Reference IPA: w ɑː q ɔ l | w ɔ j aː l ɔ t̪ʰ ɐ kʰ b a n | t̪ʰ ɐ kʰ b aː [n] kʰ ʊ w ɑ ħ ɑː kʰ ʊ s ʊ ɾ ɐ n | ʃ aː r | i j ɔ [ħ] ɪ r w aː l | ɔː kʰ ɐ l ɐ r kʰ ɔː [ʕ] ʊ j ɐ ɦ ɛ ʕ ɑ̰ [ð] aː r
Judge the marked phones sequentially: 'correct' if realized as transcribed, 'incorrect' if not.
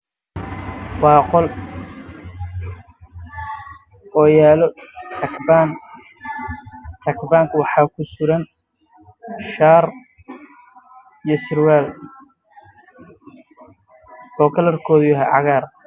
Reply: incorrect, incorrect, incorrect, incorrect

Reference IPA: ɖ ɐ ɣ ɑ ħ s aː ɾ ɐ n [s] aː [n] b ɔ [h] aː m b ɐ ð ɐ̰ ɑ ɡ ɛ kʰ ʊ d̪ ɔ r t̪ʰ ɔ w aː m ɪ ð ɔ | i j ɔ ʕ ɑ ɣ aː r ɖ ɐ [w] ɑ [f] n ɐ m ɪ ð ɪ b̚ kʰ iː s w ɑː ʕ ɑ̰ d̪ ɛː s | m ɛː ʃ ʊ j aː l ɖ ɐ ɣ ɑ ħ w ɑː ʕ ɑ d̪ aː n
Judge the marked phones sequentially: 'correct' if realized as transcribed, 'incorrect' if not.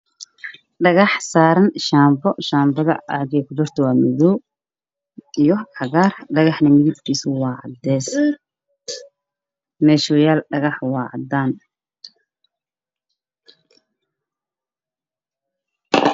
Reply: incorrect, incorrect, incorrect, incorrect, incorrect

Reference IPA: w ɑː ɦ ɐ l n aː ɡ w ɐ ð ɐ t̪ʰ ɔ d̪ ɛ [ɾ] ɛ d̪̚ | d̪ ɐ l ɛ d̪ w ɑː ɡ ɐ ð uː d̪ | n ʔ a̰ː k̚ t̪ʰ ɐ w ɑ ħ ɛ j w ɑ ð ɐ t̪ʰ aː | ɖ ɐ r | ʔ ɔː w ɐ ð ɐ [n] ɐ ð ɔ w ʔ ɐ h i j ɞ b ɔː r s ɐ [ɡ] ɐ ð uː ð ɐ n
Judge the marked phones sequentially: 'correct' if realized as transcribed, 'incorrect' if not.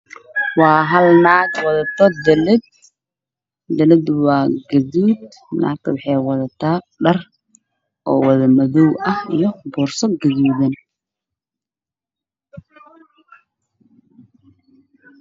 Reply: incorrect, incorrect, correct

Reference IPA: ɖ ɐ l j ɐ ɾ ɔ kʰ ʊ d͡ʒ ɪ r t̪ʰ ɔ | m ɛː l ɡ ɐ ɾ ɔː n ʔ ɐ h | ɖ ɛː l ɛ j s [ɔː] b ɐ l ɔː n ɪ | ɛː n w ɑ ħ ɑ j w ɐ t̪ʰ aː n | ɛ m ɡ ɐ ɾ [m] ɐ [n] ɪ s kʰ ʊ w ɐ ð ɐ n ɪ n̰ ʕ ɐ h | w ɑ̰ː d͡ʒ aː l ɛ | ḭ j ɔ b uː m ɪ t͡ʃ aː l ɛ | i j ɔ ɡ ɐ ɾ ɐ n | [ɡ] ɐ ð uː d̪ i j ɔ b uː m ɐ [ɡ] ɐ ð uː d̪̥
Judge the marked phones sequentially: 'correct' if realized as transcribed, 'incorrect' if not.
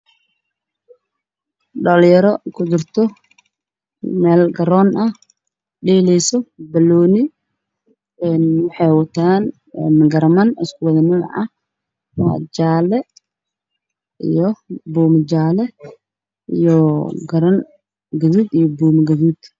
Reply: incorrect, correct, correct, correct, correct

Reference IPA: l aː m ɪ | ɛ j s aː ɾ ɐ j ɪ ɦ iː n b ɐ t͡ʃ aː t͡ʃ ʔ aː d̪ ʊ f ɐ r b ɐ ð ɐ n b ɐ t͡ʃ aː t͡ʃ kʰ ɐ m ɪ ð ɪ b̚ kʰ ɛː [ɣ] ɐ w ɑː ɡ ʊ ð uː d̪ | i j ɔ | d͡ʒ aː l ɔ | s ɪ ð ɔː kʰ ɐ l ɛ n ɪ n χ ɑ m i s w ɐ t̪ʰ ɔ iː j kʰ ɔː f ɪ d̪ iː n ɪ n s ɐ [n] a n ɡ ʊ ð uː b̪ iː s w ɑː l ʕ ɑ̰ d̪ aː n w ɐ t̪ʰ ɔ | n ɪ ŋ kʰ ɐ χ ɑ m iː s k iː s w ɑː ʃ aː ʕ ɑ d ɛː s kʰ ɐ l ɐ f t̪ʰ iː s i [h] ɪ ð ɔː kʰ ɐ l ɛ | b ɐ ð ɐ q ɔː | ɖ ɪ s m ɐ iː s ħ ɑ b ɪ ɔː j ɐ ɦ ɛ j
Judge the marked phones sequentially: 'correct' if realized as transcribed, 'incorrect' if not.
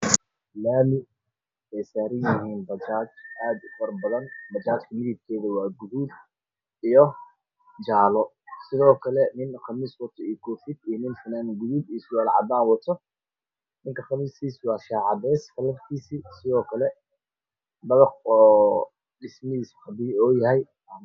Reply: incorrect, correct, incorrect

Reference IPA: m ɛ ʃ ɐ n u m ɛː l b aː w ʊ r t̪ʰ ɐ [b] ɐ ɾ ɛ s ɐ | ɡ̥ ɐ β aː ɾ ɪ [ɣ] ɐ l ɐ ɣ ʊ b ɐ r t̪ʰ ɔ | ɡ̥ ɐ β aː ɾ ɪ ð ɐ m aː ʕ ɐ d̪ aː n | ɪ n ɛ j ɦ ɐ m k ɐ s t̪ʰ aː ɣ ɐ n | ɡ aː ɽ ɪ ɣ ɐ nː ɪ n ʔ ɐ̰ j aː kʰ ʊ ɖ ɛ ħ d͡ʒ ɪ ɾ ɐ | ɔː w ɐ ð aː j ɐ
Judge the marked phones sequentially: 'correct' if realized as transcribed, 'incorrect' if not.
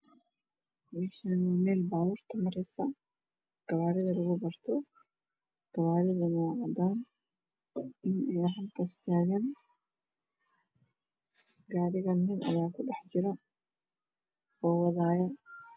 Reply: incorrect, incorrect

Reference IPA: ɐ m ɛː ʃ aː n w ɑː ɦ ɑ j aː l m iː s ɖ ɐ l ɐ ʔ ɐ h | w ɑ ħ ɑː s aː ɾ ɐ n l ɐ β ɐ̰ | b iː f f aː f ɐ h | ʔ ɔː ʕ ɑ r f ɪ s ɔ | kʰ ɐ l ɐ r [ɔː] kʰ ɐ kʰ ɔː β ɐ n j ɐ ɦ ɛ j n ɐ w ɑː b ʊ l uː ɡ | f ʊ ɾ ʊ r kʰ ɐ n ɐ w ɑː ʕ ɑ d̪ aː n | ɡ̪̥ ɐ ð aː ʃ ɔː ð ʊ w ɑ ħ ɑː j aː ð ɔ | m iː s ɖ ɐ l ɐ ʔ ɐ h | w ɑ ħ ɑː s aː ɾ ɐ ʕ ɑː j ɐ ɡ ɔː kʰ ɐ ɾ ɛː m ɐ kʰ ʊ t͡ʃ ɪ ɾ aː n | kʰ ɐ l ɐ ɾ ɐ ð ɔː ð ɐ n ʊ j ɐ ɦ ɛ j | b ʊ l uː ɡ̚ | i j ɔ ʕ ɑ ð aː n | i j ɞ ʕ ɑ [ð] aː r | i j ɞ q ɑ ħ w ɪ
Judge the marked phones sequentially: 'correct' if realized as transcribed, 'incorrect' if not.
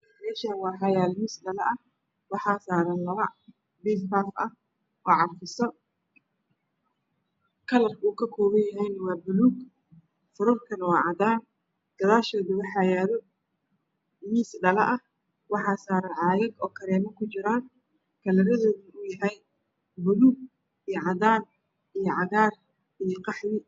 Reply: incorrect, incorrect

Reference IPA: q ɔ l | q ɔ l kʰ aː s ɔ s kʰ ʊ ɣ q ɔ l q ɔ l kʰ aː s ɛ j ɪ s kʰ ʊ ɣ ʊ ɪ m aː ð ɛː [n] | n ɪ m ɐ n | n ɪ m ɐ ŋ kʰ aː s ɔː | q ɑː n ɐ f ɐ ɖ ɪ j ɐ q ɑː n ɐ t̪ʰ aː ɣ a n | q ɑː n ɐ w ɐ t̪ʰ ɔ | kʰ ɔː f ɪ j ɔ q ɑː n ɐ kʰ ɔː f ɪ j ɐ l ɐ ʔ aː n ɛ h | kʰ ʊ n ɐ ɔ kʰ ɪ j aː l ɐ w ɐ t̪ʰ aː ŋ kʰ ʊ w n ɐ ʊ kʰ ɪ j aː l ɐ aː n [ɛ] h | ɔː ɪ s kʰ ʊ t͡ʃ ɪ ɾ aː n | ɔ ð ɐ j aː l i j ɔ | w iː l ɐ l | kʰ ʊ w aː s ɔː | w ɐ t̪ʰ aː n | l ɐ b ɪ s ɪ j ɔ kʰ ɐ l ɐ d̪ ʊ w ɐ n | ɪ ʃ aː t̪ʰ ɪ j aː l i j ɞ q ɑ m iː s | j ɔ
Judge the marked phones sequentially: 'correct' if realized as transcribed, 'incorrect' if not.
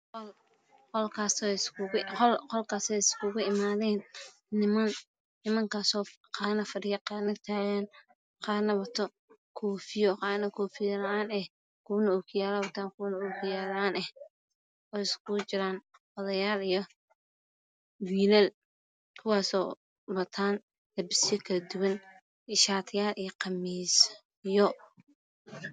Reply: correct, correct

